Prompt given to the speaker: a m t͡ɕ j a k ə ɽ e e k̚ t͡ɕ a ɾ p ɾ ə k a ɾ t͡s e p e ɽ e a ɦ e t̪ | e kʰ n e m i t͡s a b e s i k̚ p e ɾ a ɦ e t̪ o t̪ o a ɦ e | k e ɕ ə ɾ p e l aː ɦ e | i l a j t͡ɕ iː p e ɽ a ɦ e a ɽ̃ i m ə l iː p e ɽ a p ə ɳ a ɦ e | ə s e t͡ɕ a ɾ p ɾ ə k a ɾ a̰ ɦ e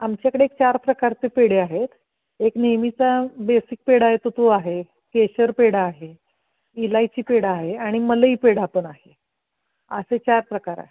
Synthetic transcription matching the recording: a m t͡ɕ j a k ə ɽ e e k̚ t͡ɕ a ɾ p ɾ ə k a ɾ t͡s e p e ɽ e a ɦ e t̪ | e k n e m i t͡s a b e s i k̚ p e ɽ a ɦ e t̪ o t̪ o a ɦ e | k e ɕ ə ɾ p e ɽ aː ɦ e | i l a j t͡ɕ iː p e ɽ a ɦ e a ɽ̃ i m ə l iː p e ɽ a p ə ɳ a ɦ e | ə s e t͡ɕ a ɾ p ɾ ə k a ɾ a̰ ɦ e